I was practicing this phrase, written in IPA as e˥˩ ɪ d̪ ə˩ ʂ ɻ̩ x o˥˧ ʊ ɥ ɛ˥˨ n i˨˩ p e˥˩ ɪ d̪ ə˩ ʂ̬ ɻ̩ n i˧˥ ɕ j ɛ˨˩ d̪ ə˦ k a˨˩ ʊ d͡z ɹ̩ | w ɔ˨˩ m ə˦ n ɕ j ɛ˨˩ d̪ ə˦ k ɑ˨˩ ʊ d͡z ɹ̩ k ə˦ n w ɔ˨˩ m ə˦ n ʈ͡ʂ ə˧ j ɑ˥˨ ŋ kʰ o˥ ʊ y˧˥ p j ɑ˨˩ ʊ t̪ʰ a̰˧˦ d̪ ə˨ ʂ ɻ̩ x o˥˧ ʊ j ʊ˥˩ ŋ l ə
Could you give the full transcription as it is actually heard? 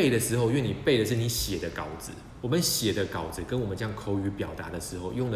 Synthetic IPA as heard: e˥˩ ɪ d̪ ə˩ ʂ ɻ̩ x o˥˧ ʊ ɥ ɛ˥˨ n i˨˩ p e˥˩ ɪ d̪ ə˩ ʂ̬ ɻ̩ n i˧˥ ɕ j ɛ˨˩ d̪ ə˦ k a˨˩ ʊ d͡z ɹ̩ | w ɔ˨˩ m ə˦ n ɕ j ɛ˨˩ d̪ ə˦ k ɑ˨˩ ʊ d͡z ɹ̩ k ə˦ n w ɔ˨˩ m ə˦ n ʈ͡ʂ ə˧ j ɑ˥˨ ŋ kʰ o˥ ʊ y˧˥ p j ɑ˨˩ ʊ t̪ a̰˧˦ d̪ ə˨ ʂ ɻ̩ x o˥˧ ʊ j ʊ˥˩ ŋ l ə